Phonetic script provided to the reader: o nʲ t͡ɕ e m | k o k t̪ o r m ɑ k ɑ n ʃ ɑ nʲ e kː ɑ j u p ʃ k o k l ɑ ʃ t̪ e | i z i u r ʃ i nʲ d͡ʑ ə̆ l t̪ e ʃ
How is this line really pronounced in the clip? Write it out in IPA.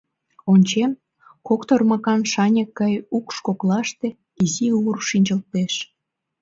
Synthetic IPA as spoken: o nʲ t͡ɕ e m | k o k t̪ o r m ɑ k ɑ n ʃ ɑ nʲ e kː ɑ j u k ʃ k o k l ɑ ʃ t̪ e | i z i u r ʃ i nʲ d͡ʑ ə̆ l t̪ e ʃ